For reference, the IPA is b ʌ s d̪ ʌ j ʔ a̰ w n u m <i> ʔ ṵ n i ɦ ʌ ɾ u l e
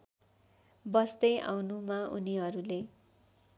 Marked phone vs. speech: incorrect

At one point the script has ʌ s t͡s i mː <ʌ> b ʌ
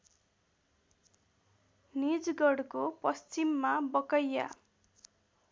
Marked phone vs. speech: incorrect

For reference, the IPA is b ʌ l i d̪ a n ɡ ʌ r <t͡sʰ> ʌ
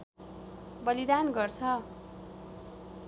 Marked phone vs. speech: correct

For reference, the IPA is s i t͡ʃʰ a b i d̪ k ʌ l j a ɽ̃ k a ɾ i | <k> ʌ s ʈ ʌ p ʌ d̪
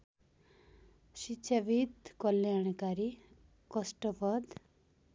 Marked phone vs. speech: correct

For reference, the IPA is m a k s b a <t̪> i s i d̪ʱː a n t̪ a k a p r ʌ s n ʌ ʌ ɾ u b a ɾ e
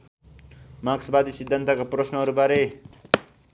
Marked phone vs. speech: incorrect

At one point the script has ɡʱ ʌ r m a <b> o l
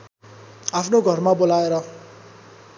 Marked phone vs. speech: correct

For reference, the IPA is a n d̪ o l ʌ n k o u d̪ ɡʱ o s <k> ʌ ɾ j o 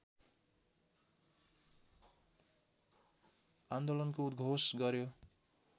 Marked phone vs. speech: incorrect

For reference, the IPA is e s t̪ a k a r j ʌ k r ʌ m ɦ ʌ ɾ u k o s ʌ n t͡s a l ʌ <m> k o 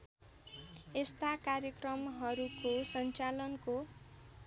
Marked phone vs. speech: incorrect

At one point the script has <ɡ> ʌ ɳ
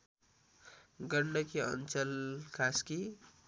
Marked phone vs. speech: correct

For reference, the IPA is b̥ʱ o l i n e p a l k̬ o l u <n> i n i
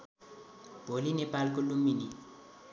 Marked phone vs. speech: incorrect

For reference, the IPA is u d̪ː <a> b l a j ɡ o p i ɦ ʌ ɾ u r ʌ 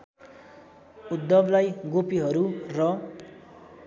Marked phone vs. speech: incorrect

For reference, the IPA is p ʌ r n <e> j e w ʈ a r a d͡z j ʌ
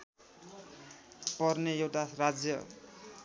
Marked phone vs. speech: correct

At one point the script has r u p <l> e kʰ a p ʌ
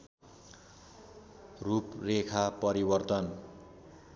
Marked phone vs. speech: incorrect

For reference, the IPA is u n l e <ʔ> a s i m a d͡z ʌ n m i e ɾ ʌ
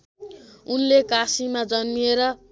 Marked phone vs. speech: incorrect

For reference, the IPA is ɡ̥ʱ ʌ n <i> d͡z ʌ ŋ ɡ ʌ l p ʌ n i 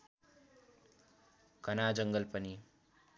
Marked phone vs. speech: incorrect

